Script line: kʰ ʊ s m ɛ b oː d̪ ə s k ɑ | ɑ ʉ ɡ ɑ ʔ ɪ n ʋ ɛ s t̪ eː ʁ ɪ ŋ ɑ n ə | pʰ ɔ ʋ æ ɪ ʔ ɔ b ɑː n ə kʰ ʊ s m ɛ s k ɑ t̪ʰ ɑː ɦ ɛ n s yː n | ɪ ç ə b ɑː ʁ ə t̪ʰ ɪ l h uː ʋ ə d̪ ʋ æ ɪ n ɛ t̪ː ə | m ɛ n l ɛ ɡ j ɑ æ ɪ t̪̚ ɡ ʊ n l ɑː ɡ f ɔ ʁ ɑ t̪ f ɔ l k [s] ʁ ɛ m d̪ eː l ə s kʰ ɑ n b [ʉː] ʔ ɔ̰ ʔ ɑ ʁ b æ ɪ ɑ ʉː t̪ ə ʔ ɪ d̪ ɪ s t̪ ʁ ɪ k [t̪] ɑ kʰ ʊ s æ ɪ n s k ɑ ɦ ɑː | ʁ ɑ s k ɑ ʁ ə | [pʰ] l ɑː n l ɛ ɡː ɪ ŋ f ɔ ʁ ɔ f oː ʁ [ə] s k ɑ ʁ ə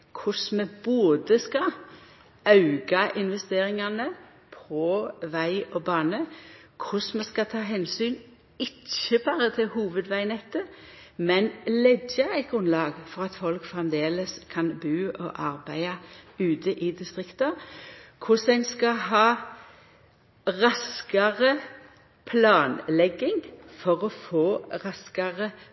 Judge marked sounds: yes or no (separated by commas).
no, yes, yes, yes, no